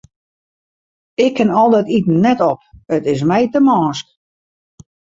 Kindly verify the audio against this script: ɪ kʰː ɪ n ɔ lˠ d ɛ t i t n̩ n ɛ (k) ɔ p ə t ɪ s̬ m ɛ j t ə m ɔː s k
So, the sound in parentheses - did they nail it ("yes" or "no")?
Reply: no